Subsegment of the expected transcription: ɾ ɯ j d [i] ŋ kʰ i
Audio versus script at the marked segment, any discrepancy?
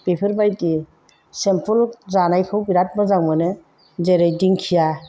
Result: no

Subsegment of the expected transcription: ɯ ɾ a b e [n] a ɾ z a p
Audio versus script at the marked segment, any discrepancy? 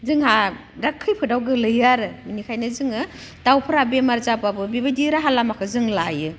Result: yes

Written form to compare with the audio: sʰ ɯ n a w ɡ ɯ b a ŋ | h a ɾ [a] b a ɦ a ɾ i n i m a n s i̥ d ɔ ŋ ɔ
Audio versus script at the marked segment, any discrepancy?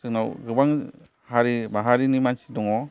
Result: yes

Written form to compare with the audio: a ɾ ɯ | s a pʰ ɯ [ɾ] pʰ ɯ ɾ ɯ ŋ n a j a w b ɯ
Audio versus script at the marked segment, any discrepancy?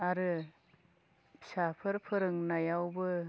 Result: no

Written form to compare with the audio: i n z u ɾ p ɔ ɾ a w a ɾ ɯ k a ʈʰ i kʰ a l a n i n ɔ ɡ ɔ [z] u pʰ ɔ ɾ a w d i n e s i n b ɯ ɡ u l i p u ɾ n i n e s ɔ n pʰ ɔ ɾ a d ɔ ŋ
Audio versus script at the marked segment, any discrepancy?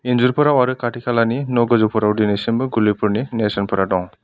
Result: no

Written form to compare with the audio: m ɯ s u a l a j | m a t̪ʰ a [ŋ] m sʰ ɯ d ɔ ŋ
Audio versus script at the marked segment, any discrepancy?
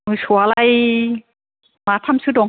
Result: yes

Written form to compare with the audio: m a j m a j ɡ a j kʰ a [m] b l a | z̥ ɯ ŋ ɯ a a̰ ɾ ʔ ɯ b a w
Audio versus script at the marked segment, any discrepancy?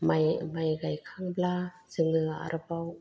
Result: yes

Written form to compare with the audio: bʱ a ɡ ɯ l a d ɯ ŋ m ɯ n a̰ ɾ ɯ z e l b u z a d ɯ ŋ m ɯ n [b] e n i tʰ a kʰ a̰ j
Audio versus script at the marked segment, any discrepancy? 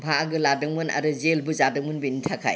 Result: no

